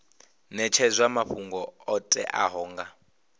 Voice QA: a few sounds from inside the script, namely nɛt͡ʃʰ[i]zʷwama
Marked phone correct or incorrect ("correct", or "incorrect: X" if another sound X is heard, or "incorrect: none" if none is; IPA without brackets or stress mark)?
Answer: incorrect: ɛ